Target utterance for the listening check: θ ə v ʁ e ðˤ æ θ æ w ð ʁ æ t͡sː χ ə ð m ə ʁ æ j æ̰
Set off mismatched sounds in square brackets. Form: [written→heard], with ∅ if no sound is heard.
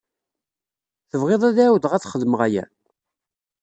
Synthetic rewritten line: θ ə v ʁ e ðˤ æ [θ→ð] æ w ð ʁ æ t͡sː χ ə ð m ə ʁ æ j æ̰